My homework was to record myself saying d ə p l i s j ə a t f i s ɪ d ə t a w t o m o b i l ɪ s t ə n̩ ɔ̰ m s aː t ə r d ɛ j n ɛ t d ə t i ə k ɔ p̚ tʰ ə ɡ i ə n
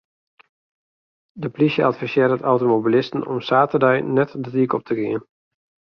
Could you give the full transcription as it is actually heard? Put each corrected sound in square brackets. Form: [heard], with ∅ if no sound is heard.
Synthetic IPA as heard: d ə p l i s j ə a t f i s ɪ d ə t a w t o m o b i l ɪ s t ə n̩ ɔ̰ m s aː t ə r d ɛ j n ɛ t d ə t i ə k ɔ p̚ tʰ ə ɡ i ə n